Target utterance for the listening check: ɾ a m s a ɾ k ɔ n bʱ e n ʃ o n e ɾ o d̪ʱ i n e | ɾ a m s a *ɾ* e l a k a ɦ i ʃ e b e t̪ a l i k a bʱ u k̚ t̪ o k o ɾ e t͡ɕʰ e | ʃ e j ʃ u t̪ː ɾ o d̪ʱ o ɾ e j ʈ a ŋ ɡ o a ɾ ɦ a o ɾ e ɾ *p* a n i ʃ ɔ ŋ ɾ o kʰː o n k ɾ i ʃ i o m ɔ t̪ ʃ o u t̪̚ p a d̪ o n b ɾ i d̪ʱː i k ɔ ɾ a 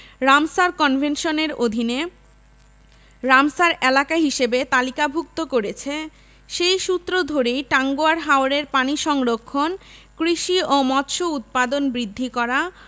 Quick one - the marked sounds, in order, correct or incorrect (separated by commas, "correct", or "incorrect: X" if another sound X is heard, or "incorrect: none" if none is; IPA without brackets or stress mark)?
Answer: correct, correct